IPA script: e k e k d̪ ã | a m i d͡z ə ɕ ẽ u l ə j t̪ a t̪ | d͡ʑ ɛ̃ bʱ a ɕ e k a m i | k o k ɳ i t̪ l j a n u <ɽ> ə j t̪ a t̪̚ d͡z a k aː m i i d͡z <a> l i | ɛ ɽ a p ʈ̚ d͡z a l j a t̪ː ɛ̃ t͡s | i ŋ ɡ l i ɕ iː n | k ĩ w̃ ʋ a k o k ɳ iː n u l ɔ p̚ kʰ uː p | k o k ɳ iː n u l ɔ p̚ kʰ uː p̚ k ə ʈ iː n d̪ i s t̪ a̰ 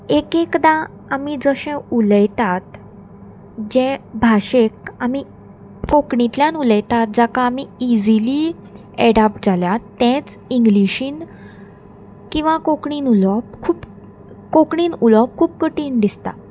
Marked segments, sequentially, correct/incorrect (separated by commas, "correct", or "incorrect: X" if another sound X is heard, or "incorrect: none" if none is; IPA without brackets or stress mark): incorrect: l, incorrect: i